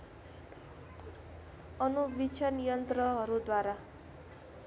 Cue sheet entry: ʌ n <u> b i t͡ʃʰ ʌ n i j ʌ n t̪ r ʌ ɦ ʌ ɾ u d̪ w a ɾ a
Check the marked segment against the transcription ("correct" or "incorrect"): correct